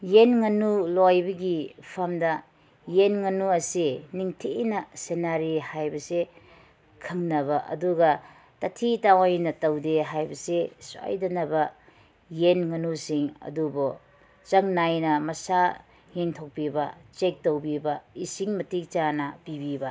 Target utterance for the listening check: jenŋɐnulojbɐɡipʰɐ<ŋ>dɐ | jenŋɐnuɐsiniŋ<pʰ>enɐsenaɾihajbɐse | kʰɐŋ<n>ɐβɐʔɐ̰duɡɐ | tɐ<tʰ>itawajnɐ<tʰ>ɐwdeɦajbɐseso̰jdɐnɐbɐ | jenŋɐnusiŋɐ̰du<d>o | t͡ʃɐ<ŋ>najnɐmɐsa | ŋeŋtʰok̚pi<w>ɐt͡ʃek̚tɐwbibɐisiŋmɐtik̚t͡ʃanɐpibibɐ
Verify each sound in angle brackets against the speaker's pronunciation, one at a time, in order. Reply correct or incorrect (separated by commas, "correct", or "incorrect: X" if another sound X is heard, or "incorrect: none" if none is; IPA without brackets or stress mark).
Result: incorrect: m, incorrect: tʰ, correct, correct, incorrect: t, incorrect: b, correct, incorrect: b